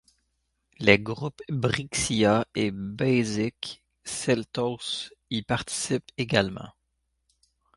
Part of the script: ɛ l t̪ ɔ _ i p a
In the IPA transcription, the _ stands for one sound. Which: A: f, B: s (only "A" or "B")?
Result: B